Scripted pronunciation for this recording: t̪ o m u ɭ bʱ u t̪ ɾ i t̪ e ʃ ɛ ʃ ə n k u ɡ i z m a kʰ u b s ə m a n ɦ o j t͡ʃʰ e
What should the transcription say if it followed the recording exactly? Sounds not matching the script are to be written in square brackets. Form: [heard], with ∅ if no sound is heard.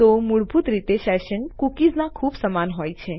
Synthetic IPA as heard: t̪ o m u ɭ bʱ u t̪ ɾ i t̪ e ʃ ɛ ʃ ə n k u [k] i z [n] a kʰ u b s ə m a n ɦ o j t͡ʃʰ e